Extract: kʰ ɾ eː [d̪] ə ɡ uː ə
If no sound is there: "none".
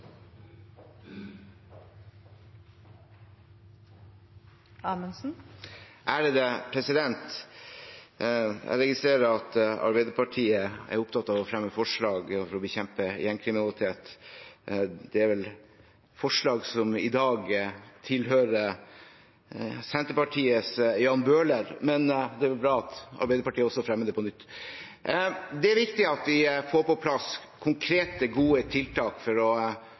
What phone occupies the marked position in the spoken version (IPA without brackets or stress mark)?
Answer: t̪